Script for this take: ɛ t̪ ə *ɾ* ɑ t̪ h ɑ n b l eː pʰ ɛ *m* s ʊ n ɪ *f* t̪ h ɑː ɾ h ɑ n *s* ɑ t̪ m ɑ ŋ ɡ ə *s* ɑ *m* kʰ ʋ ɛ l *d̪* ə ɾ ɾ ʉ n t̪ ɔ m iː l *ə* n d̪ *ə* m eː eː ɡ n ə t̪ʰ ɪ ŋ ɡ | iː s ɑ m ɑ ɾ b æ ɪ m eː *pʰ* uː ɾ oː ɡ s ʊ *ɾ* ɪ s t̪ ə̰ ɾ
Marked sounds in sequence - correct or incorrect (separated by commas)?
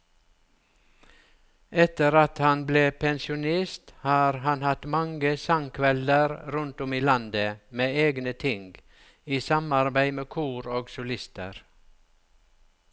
correct, incorrect, incorrect, incorrect, correct, incorrect, correct, incorrect, correct, incorrect, incorrect